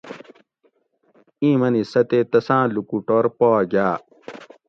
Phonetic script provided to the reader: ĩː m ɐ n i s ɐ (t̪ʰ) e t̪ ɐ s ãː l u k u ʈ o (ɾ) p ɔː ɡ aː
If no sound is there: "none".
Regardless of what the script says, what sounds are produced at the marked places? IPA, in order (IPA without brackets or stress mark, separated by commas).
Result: t̪, ɾ